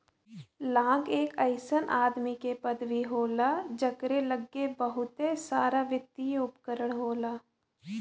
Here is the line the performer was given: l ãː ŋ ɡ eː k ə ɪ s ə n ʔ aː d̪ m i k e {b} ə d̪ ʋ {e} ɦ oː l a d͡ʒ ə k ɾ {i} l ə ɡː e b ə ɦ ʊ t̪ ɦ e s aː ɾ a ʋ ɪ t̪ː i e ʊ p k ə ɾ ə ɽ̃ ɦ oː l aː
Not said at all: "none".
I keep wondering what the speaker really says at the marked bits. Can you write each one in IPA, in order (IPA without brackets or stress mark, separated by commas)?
p, i, e